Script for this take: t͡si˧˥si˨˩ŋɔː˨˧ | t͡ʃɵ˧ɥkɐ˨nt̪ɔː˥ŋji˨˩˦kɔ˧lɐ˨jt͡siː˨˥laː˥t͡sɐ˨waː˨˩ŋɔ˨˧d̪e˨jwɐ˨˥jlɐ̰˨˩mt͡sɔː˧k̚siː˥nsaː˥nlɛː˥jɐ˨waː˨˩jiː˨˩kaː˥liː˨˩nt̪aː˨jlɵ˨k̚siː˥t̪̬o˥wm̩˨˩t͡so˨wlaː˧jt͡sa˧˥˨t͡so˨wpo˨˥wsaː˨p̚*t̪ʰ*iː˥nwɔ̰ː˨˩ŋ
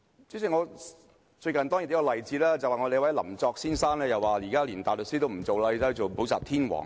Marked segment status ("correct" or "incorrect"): correct